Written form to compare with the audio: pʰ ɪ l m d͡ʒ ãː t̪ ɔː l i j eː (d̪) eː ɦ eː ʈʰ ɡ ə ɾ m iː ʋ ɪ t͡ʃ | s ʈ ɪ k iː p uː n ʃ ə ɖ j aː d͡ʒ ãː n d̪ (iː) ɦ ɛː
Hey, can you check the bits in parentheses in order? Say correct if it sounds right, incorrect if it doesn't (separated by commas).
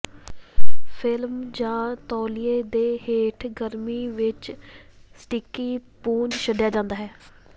correct, incorrect